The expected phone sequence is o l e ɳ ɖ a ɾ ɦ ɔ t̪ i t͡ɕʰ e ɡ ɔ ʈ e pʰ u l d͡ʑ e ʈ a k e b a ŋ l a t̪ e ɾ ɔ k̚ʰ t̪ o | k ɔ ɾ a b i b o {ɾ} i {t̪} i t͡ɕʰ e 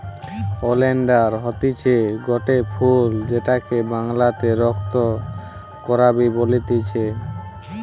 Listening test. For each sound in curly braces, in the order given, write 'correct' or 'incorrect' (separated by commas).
incorrect, correct